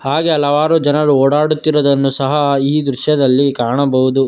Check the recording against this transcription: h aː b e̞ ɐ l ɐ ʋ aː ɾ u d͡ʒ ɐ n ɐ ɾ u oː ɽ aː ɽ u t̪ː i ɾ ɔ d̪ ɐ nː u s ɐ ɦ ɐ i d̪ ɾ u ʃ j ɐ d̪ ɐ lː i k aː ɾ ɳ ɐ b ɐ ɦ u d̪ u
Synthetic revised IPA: h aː ɡ e̞ ɐ l ɐ ʋ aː ɾ u d͡ʒ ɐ n ɐ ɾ u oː ɽ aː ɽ u t̪ː i ɾ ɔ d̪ ɐ nː u s ɐ ɦ ɐ iː d̪ ɾ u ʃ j ɐ d̪ ɐ lː i k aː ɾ ɳ ɐ b ɐ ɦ u d̪ u